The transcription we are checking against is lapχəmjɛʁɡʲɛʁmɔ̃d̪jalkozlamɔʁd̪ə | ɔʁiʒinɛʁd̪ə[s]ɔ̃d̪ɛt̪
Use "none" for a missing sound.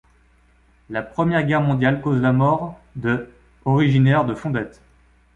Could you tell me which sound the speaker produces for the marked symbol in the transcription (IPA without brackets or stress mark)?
f